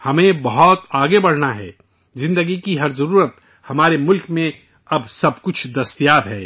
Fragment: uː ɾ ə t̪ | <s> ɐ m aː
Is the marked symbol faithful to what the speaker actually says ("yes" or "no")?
no